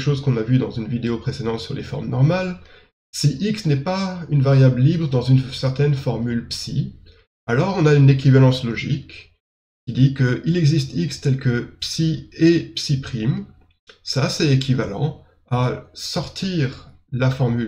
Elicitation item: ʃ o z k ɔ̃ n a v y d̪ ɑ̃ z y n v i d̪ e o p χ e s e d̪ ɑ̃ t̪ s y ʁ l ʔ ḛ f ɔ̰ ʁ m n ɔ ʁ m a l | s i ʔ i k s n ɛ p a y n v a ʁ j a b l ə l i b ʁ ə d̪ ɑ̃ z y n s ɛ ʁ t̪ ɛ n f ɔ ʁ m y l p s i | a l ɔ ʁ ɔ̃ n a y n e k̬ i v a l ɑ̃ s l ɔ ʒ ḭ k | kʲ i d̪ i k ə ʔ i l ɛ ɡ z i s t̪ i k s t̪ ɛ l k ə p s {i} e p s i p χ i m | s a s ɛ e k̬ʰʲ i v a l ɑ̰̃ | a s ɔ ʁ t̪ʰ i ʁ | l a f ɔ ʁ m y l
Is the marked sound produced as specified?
yes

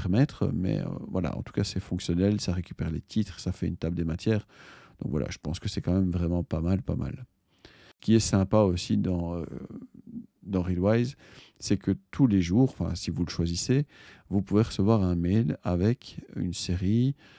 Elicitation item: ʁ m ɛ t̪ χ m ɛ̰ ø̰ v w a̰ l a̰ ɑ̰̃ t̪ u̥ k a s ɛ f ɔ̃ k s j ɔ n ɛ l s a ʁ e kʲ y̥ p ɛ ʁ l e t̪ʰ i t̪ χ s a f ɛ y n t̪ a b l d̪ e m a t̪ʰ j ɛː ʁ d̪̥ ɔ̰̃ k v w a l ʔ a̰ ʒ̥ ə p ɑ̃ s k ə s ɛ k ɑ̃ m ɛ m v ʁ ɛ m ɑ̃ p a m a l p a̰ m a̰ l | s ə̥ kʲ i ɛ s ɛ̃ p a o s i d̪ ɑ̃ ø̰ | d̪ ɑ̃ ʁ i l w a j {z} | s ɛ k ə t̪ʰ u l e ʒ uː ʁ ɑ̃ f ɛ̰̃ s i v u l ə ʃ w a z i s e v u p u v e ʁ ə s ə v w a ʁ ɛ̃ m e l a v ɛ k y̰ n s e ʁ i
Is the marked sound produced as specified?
yes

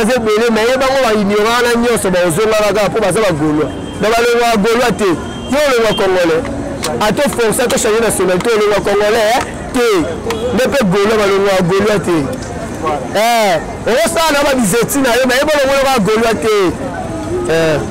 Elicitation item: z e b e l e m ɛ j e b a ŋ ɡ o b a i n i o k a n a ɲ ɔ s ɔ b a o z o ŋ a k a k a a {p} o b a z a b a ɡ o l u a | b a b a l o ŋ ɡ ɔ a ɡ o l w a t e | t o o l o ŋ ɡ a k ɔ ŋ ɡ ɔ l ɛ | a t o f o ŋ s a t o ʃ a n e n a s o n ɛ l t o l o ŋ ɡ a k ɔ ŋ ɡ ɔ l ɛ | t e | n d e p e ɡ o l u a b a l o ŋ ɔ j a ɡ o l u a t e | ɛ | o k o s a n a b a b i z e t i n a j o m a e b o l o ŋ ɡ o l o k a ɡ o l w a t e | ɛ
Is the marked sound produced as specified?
yes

